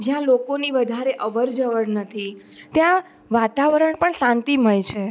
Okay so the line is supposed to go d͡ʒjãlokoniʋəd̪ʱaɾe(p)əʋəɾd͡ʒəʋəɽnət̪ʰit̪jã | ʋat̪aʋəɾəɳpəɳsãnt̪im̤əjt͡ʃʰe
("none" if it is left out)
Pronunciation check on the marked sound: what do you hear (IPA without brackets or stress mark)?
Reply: ʔ